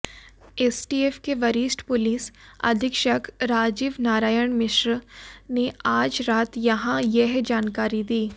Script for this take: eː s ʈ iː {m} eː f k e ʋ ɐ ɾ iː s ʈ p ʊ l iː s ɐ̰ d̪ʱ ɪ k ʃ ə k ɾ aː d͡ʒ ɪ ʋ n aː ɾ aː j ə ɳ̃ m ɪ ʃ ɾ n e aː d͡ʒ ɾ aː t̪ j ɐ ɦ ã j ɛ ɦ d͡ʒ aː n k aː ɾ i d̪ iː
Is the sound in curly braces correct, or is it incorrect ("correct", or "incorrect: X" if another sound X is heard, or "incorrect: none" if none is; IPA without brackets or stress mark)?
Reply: incorrect: none